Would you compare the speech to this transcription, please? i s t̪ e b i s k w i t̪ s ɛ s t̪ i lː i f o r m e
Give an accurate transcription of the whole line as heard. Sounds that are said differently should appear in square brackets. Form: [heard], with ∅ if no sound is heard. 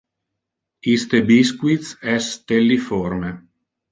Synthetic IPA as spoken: i s t̪ e b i s k w i t̪ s ɛ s t̪ [e] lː i f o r m e